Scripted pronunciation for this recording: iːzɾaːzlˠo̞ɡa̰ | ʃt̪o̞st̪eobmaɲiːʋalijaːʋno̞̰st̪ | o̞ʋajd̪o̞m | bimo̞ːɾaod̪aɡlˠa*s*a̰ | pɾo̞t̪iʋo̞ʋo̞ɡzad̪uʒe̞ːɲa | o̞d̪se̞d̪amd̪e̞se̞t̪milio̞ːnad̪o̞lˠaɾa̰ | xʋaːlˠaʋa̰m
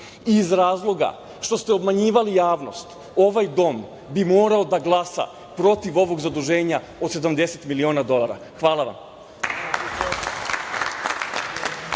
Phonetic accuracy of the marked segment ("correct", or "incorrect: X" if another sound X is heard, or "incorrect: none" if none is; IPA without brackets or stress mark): correct